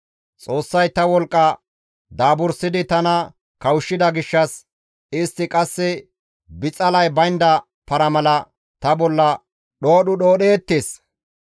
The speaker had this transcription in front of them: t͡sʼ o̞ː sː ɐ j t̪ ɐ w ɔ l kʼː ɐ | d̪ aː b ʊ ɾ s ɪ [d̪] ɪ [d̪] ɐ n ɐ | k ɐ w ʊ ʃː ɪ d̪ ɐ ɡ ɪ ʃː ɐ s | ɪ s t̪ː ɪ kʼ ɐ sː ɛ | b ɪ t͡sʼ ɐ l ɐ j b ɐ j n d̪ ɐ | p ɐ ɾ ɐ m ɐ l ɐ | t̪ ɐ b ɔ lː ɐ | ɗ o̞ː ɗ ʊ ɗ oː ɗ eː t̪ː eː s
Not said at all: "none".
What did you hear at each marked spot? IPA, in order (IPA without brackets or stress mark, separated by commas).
d̪, t̪